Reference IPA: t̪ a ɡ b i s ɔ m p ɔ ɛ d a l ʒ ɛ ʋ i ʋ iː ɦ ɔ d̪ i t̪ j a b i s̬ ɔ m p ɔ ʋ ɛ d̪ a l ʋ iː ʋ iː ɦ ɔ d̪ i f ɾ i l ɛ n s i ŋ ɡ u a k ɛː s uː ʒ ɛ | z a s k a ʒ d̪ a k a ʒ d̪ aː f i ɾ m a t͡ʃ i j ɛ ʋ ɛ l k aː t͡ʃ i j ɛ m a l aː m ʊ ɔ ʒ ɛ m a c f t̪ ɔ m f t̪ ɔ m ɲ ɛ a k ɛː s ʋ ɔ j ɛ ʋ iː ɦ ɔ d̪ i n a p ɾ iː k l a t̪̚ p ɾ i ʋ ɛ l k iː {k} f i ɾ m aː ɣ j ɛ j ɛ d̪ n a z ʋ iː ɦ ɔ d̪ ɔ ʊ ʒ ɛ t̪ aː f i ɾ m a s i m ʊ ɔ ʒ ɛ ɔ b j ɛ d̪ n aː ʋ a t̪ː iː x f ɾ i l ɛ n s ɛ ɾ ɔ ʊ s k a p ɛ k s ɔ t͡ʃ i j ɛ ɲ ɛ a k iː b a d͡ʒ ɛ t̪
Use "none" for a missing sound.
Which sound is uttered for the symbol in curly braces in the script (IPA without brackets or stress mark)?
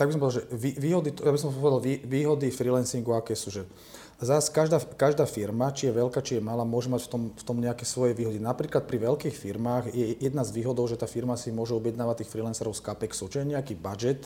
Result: x